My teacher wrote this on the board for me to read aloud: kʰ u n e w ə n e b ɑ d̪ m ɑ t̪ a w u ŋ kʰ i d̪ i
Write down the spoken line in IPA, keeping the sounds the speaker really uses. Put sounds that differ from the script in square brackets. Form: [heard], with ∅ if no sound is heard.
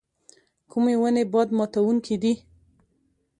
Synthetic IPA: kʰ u [m] e w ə n e b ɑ d̪ m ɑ t̪ a w u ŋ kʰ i d̪ i